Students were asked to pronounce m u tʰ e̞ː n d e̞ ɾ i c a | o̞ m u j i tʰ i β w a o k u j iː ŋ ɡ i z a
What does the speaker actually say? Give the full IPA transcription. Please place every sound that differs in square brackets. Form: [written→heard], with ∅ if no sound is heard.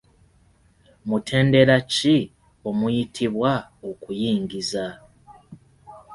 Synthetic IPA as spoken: m u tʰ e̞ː n d e̞ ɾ [i→a] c [a→i] | o̞ m u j i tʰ i β w a o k u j iː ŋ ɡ i z a

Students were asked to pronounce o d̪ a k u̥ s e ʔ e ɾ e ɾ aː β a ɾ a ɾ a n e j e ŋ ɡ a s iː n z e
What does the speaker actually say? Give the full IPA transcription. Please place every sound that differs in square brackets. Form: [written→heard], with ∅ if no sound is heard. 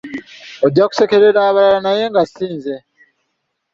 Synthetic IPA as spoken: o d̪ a k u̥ s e [ʔ→k] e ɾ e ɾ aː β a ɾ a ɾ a n [e→a] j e ŋ ɡ a s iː n z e

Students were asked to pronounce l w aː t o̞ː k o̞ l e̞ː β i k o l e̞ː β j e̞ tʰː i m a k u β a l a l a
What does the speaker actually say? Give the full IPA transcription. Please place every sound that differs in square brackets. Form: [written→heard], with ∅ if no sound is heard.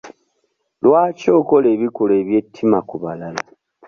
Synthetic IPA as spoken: l w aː [t→c] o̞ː k o̞ l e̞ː β i k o l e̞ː β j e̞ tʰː i m a k u β a l a l a

